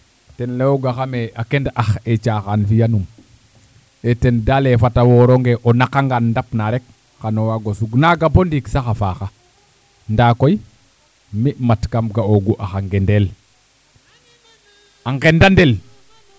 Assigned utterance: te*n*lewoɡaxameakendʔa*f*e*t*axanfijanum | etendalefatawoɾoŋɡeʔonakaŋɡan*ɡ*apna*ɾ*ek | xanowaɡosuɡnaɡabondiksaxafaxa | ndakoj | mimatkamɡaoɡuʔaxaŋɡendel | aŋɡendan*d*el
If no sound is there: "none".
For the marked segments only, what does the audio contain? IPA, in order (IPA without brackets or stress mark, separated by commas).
n, x, t͡ʃ, d, ɾ, d